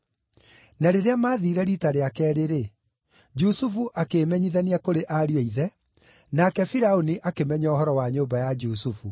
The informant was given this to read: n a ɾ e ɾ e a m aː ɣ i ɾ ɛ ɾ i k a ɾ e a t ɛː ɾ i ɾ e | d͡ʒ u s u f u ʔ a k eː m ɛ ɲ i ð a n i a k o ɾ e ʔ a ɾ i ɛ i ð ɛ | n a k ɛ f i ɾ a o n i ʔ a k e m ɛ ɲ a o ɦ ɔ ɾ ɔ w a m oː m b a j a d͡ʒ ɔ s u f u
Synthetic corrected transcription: n a ɾ e ɾ e a m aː ð i ɾ ɛ ɾ i t a ɾ e a k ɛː ɾ e ɾ e | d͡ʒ u s u f u ʔ a k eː m ɛ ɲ i ð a n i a k o ɾ e ʔ a ɾ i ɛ i ð ɛ | n a k ɛ f i ɾ a o n i ʔ a k e m ɛ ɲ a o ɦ ɔ ɾ ɔ w a ɲ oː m b a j a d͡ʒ u s u f u